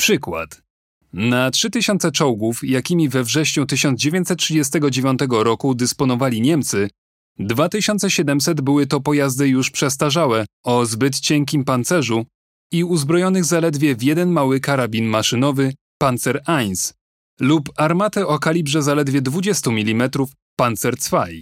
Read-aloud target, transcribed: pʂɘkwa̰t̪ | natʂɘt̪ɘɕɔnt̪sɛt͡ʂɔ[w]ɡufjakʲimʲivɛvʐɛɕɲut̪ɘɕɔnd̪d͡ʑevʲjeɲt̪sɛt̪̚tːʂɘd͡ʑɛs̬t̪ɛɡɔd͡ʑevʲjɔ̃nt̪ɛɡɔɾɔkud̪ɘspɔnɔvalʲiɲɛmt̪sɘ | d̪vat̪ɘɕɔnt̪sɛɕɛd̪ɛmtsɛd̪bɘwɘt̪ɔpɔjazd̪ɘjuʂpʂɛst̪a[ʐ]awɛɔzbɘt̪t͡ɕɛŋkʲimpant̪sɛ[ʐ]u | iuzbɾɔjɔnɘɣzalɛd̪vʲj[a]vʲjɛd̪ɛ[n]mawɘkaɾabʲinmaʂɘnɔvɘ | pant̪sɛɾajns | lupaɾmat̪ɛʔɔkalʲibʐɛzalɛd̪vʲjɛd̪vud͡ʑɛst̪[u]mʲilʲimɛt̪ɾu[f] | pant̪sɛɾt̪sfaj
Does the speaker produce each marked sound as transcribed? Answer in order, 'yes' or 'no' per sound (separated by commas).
yes, yes, yes, no, yes, yes, yes